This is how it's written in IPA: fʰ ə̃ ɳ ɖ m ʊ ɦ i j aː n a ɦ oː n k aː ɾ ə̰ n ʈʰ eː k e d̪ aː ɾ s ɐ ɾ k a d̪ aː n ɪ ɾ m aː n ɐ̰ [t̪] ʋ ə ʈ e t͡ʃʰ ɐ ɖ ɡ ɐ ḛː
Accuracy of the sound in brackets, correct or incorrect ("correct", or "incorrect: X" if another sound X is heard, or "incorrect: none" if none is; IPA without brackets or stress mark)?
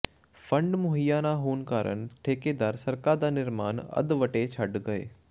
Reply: incorrect: d̪